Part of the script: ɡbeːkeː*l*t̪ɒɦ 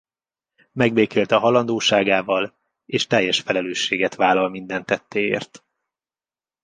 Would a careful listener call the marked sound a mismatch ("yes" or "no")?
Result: no